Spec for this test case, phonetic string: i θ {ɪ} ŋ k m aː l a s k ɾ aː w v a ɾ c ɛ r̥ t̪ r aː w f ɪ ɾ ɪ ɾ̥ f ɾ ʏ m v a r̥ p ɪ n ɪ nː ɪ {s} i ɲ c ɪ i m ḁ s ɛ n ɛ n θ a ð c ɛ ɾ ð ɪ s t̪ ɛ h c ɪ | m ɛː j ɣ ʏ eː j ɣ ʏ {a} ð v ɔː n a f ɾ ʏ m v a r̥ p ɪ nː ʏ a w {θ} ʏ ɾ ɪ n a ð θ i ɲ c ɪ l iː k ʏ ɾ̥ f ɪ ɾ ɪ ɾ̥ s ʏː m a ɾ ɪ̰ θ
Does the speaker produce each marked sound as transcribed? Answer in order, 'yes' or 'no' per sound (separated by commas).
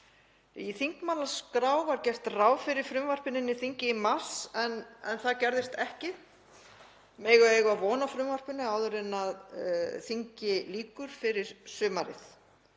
no, no, yes, no